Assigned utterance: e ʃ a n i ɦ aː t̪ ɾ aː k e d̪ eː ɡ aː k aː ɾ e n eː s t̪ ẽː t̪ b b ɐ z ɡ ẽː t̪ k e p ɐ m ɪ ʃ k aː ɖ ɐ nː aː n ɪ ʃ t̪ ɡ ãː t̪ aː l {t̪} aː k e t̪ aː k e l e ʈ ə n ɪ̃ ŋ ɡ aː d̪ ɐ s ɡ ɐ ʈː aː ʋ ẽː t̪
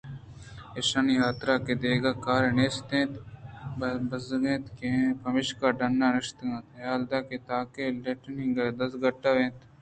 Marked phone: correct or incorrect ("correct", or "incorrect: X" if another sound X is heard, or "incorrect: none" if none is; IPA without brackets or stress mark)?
incorrect: d̪